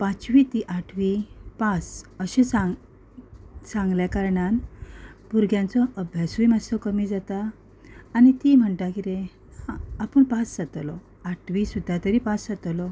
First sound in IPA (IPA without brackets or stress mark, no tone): p